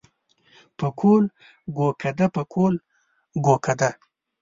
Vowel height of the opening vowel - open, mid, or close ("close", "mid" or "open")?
mid